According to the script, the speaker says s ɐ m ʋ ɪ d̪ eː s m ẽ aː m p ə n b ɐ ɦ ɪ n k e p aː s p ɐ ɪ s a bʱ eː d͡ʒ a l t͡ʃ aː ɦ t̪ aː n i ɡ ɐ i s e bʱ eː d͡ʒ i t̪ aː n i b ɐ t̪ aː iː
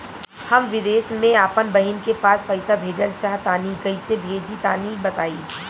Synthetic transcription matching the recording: h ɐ m ʋ ɪ d̪ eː s m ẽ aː p ə n b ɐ ɦ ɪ n k e p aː s p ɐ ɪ s a bʱ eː d͡ʒ ə l t͡ʃ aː ɦ t̪ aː n i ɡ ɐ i s e bʱ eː d͡ʒ i t̪ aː n i b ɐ t̪ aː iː